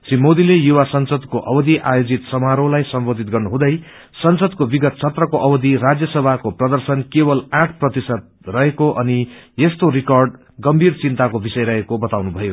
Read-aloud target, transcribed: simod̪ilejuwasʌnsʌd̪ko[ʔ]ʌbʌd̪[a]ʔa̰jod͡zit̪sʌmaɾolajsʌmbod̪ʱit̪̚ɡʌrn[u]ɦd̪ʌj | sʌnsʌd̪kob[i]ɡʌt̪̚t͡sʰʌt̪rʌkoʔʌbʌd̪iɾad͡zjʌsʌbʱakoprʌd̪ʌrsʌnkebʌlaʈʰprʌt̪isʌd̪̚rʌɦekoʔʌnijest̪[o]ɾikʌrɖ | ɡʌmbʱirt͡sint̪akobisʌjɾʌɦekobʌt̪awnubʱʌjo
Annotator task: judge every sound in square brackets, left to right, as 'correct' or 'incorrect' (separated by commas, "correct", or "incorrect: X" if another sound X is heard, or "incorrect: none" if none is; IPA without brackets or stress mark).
correct, incorrect: i, correct, correct, correct